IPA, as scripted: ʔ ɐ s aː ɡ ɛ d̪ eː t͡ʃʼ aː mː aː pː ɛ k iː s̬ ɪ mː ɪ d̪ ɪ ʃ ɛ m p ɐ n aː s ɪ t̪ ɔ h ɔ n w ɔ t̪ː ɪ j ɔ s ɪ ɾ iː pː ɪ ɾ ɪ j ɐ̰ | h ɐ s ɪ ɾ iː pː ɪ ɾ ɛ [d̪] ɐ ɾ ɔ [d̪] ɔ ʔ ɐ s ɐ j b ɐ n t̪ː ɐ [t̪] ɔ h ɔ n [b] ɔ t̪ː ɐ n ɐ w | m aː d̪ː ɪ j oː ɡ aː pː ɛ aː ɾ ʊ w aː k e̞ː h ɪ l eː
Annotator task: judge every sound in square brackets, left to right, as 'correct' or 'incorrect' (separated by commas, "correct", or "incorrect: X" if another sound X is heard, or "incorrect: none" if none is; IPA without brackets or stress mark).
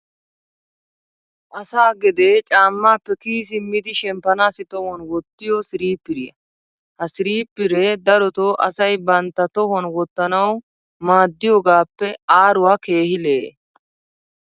correct, incorrect: t̪, correct, incorrect: w